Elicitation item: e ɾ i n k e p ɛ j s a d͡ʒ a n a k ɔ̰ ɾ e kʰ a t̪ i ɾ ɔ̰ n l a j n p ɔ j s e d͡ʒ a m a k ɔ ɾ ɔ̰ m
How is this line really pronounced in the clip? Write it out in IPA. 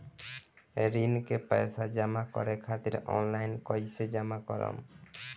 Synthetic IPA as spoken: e ɾ i n k e p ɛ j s a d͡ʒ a m a k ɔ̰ ɾ e kʰ a t̪ i ɾ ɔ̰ n l a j n k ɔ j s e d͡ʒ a m a k ɔ ɾ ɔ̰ m